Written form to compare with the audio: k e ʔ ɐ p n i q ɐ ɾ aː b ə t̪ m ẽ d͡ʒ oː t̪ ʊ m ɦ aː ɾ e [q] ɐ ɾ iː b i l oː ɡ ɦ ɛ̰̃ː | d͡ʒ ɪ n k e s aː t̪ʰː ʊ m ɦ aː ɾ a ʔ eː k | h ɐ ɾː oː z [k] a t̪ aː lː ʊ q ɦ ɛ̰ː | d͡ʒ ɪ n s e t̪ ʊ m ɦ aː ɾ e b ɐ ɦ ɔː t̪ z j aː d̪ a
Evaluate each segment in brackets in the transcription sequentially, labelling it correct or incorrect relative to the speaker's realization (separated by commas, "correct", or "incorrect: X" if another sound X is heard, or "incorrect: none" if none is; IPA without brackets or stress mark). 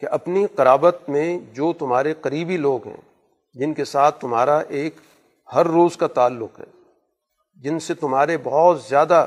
correct, correct